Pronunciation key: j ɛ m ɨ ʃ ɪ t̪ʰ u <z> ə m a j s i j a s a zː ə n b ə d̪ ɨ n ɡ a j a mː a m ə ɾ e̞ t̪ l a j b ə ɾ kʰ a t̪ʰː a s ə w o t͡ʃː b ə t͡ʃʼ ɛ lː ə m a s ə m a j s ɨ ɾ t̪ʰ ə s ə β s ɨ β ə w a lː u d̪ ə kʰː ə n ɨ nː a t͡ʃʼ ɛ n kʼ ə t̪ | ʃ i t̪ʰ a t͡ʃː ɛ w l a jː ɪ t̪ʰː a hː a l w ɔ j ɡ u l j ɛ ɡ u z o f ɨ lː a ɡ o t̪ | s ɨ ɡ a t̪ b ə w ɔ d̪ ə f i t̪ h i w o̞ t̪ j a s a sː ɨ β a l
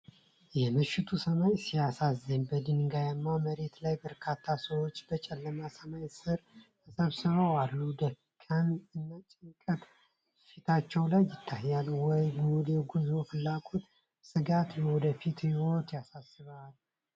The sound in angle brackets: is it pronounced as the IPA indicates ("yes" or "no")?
no